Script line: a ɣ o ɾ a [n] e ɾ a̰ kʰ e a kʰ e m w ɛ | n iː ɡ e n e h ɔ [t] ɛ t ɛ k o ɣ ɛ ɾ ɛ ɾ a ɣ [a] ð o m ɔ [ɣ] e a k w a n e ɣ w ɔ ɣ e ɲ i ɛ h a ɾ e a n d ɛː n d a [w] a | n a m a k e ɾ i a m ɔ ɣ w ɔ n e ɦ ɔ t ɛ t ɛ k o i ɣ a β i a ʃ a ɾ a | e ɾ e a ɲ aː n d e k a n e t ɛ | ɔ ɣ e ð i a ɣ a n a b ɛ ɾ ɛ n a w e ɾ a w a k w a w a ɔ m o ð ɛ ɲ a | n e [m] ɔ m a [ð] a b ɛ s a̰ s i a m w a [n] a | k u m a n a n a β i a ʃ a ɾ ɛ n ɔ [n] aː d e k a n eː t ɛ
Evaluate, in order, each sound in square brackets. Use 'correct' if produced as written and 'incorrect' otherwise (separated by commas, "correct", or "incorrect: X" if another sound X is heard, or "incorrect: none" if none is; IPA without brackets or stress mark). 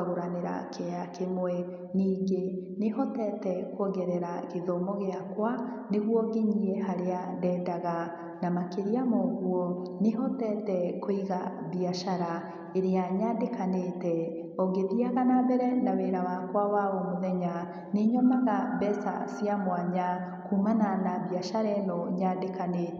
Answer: correct, correct, incorrect: e, correct, incorrect: ɣ, incorrect: ɲ, incorrect: ɣ, incorrect: ɲ, incorrect: ɲ